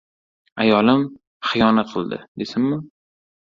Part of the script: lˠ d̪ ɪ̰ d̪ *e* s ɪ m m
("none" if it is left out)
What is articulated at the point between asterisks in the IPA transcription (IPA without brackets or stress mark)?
e